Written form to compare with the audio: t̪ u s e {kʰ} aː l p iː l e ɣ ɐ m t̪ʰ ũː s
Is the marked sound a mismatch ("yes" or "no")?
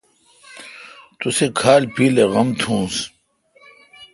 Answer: no